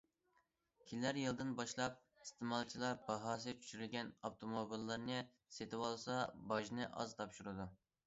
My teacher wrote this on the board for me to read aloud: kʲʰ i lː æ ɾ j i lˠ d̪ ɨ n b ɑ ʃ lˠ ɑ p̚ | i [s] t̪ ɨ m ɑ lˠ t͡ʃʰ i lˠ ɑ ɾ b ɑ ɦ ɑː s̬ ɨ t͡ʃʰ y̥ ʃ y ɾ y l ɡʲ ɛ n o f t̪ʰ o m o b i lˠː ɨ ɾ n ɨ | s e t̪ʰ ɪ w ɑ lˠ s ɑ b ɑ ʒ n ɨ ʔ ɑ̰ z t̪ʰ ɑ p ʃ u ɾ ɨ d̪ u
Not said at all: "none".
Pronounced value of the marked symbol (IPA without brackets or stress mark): s